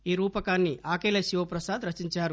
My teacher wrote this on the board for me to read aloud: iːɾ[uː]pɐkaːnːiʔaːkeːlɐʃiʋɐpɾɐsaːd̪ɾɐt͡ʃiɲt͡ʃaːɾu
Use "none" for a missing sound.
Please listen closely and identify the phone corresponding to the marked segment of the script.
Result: uː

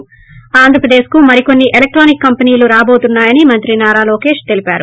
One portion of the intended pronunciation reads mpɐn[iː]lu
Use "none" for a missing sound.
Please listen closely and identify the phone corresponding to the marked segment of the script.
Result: iː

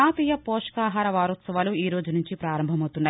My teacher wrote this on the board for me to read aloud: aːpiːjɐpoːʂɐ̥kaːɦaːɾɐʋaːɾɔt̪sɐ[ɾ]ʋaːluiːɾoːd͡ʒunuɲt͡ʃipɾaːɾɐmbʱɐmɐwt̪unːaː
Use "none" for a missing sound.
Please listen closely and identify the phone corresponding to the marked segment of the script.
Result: none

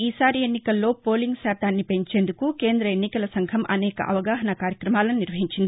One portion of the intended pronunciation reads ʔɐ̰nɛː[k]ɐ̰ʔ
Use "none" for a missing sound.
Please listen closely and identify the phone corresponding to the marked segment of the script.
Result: k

